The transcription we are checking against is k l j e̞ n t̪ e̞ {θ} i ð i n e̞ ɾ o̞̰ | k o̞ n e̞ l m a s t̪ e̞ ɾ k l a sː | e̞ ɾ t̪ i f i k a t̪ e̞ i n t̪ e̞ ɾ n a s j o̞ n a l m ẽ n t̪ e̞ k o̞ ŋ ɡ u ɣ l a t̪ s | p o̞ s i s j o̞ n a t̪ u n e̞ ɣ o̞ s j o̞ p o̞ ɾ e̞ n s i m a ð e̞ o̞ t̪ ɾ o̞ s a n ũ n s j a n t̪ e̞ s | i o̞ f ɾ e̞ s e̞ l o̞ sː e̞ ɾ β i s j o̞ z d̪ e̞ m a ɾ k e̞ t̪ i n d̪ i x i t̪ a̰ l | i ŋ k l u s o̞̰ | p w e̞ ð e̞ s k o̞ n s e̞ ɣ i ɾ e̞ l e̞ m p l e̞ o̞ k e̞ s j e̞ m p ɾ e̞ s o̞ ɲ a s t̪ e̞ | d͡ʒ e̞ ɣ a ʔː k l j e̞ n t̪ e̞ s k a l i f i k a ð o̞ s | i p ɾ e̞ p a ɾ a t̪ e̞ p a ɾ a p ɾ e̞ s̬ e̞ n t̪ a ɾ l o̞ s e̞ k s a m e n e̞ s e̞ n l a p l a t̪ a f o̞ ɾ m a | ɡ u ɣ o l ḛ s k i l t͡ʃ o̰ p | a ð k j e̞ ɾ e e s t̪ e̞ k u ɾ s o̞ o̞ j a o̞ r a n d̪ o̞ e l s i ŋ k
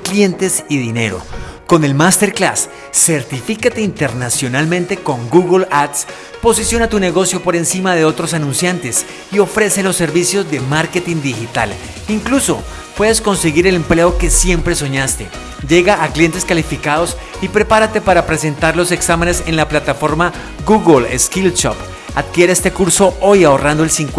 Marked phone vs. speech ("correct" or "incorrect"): incorrect